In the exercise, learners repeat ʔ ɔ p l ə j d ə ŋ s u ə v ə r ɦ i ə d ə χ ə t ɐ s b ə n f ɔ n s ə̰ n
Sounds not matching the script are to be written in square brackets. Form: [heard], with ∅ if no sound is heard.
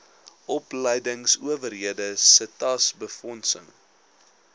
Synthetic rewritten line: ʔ ɔ p l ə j d ə ŋ s u ə v ə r ɦ i ə d ə [s] ə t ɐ s b ə [∅] f ɔ n s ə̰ [ŋ]